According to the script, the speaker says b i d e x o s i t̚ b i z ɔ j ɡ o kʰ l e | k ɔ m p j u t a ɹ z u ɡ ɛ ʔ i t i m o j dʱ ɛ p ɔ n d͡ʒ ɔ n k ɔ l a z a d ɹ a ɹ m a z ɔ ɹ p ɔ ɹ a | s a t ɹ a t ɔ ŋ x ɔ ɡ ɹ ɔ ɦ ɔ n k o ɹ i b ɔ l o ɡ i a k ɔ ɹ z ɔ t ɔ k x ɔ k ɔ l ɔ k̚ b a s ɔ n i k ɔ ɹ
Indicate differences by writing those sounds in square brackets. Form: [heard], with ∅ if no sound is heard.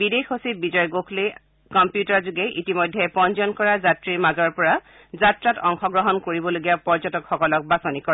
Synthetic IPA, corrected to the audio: b i d e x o s i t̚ b i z ɔ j ɡ o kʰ l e | k ɔ m p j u t a ɹ z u ɡ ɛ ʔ i t i m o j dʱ ɛ p ɔ n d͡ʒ ɔ n k ɔ [ɹ] a z a [t] ɹ [i] ɹ m a z ɔ ɹ p ɔ ɹ a | [z] a t ɹ a t ɔ ŋ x ɔ ɡ ɹ ɔ ɦ ɔ n k o ɹ i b ɔ l o ɡ i a [p] ɔ ɹ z ɔ t ɔ k x ɔ k ɔ l ɔ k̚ b a s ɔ n i k ɔ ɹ